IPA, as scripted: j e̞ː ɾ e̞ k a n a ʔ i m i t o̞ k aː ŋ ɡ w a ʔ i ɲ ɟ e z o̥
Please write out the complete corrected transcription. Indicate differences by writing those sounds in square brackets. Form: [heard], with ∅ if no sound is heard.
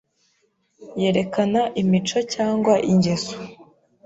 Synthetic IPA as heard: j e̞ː ɾ e̞ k a n a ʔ i m i [t͡ʃ] o̞ [c] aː ŋ ɡ w a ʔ i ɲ ɟ e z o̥